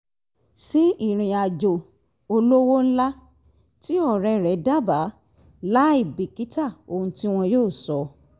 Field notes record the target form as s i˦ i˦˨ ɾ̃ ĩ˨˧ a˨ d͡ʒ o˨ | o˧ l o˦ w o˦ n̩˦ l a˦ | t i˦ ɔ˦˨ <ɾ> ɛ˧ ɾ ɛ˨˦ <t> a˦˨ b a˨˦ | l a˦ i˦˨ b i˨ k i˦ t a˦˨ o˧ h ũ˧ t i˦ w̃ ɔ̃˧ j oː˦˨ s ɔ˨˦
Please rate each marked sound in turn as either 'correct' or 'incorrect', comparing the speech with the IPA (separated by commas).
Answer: correct, incorrect